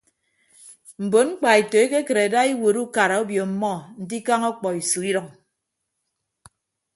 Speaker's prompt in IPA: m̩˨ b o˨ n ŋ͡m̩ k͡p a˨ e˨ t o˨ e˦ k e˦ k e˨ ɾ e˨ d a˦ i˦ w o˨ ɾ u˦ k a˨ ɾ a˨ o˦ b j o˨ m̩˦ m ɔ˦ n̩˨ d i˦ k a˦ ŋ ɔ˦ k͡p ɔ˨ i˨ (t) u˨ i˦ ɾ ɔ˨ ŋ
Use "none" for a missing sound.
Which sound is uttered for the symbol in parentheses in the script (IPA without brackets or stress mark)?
s